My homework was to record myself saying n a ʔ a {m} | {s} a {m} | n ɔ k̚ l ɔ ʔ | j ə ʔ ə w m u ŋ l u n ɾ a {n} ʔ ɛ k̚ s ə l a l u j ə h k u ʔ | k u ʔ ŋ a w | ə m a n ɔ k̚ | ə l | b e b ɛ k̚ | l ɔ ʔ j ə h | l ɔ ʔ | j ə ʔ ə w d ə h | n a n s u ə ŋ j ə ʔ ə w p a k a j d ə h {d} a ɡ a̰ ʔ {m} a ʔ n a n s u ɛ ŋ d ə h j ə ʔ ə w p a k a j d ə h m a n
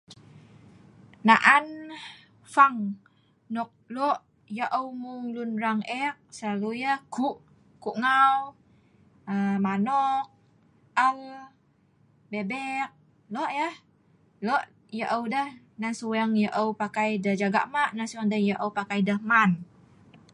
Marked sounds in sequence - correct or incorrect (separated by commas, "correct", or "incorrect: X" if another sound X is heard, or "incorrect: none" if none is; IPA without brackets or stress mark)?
incorrect: n, incorrect: f, incorrect: ŋ, incorrect: ŋ, incorrect: d͡ʒ, correct